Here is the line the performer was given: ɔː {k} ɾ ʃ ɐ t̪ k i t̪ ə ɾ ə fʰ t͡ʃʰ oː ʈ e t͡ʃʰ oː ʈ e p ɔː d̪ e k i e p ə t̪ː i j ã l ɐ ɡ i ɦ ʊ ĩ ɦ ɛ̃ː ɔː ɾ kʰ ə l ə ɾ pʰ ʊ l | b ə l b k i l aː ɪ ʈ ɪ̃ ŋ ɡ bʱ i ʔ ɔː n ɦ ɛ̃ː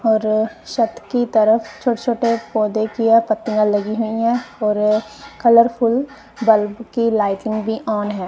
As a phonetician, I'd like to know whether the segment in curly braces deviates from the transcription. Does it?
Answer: yes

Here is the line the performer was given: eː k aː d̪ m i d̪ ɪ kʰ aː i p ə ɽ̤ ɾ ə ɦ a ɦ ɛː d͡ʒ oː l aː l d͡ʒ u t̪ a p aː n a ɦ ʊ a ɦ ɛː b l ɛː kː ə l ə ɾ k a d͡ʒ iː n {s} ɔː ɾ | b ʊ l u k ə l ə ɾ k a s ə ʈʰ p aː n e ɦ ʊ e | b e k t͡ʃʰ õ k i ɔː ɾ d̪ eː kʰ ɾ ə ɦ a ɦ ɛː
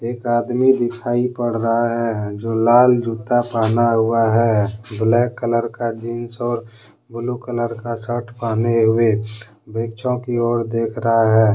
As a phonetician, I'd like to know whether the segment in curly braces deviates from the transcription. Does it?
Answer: no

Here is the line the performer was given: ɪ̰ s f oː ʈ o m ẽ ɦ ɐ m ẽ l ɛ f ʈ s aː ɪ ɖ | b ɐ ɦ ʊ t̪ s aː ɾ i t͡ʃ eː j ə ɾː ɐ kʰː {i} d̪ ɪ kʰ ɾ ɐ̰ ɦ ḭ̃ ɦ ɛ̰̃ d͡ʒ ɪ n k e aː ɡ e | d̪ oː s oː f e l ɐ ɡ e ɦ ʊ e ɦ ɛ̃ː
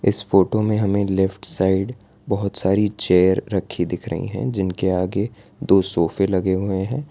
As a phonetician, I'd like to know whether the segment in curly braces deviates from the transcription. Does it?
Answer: no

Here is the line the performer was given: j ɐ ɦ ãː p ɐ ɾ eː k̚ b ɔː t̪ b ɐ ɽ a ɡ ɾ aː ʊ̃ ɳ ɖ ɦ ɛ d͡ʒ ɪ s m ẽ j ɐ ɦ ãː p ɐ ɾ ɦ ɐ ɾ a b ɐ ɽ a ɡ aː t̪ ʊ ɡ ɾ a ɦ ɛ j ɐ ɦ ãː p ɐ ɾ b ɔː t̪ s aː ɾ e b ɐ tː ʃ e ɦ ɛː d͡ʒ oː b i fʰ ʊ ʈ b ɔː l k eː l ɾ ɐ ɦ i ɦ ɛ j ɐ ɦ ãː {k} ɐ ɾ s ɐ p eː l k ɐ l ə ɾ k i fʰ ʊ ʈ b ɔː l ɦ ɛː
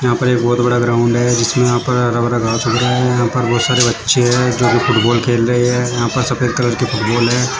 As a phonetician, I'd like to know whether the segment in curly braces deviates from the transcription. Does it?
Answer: yes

